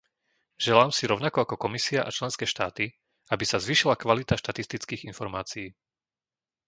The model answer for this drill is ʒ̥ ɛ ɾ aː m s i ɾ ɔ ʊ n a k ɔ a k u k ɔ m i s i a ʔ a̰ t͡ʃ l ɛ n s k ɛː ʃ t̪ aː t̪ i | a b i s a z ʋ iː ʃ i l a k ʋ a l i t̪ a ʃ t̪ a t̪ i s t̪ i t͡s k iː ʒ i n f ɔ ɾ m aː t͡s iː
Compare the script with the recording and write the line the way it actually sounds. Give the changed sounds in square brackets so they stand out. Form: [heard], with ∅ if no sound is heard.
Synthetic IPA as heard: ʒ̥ ɛ [l] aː m s i ɾ ɔ ʊ n a k ɔ a k [ɔ] k ɔ m i s i a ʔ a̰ t͡ʃ l ɛ n s k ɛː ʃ t̪ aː t̪ i | a b i s a z ʋ iː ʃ i l a k ʋ a l i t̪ a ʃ t̪ a t̪ i s t̪ i t͡s k iː [ɣ] i n f ɔ ɾ m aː t͡s iː